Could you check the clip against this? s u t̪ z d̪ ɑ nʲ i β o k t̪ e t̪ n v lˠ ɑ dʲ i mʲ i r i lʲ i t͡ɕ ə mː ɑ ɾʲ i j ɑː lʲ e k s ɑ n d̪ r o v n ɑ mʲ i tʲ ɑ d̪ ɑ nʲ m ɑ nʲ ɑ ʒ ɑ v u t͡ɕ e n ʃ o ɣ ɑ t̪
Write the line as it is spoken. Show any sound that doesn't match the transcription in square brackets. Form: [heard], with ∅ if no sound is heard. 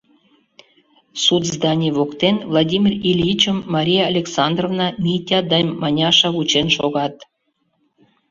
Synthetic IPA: s u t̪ z d̪ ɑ nʲ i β o k t̪ e [∅] n v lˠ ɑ dʲ i mʲ i r i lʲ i t͡ɕ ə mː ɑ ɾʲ i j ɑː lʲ e k s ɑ n d̪ r o v n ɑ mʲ i tʲ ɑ d̪ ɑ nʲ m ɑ nʲ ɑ [ʃ] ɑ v u t͡ɕ e n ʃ o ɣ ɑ t̪